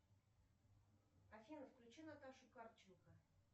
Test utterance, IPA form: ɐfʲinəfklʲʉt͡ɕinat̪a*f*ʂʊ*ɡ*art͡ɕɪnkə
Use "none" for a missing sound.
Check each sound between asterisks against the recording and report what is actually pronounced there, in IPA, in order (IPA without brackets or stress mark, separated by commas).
none, k